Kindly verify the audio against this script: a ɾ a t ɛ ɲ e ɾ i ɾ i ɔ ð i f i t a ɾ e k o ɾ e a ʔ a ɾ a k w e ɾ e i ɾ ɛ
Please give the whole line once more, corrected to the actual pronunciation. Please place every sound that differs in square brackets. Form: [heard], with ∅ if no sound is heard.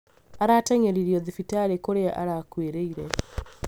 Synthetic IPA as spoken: a ɾ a t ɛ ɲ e ɾ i ɾ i ɔ ð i f i t a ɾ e k o ɾ e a ʔ a ɾ a k w e ɾ e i ɾ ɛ